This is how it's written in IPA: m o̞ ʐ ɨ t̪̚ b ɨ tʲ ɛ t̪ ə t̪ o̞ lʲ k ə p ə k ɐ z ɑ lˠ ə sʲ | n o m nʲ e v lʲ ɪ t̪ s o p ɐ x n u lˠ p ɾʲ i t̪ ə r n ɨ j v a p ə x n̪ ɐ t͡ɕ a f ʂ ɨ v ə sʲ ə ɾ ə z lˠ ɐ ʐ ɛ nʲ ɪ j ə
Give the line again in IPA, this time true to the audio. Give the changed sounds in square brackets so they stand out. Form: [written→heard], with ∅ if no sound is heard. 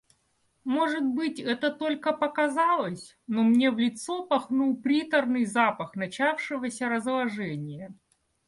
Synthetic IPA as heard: m o̞ ʐ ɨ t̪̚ b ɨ tʲ ɛ t̪ ə t̪ o̞ lʲ k ə p ə k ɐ z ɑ lˠ ə sʲ | n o m nʲ e v lʲ ɪ t̪ s o p ɐ x n u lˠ p ɾʲ i t̪ ə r n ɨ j [v→z] a p ə x n̪ ɐ t͡ɕ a f ʂ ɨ v ə sʲ ə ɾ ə z lˠ ɐ ʐ ɛ nʲ ɪ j ə